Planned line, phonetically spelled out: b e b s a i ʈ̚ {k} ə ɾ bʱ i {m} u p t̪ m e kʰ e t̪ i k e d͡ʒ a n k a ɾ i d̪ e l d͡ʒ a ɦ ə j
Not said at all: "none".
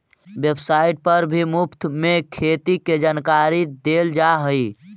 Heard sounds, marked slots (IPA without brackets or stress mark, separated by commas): p, m